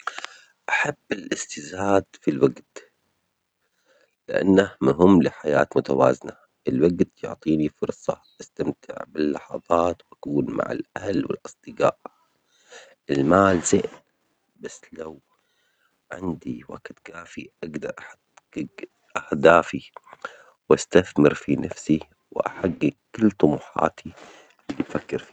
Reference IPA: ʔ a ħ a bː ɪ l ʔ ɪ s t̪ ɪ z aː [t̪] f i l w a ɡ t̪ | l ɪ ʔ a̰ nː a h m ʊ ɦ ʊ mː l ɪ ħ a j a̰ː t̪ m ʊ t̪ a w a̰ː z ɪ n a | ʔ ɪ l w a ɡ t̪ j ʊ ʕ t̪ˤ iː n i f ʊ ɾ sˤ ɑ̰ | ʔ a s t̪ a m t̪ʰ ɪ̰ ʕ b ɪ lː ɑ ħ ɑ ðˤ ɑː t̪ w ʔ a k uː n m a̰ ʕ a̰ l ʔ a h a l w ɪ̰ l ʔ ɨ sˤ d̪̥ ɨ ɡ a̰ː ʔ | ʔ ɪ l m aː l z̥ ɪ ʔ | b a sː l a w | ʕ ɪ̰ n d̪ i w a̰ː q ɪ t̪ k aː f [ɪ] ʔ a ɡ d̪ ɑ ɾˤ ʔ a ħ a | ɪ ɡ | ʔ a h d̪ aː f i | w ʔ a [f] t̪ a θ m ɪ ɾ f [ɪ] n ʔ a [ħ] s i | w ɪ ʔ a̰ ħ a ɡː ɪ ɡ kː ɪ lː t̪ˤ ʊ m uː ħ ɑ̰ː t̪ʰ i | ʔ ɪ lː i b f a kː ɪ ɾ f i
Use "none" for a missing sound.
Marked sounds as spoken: d̪, i, s, i, f

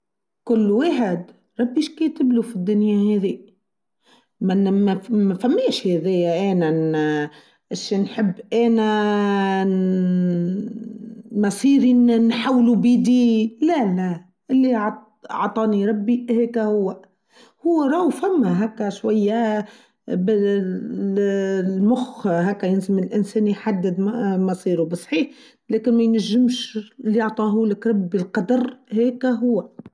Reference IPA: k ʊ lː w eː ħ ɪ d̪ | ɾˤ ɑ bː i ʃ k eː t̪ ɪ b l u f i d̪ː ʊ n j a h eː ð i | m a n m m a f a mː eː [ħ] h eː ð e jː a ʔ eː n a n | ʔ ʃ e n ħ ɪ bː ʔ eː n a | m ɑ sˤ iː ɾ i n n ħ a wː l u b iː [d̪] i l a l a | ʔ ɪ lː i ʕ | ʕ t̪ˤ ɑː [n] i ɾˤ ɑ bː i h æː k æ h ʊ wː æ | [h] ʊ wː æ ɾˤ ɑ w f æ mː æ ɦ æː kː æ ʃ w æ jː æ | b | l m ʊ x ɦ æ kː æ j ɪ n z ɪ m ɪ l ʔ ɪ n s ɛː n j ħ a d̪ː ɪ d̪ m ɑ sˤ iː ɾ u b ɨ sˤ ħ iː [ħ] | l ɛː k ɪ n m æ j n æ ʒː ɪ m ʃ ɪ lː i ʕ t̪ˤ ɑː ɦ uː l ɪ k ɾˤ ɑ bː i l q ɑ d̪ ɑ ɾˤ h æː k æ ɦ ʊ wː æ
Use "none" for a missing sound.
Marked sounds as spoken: ʃ, d̪, n, h, ħ

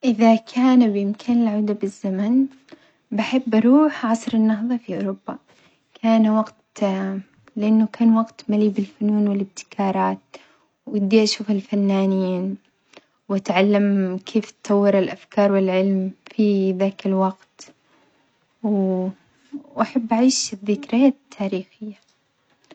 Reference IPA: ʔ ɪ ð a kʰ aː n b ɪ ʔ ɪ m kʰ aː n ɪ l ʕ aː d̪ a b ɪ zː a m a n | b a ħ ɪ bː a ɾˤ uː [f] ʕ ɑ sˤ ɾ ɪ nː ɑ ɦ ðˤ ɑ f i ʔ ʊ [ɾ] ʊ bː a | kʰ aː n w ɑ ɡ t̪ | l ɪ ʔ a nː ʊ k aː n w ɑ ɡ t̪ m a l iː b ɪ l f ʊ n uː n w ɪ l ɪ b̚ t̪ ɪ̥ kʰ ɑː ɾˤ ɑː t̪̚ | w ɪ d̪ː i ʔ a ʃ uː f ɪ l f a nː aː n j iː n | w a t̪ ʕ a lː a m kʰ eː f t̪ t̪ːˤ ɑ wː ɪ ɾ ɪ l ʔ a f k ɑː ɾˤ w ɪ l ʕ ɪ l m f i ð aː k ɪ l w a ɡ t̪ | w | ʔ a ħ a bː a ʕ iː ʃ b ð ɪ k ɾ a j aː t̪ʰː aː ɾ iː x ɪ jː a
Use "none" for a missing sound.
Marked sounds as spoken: ħ, ɾ

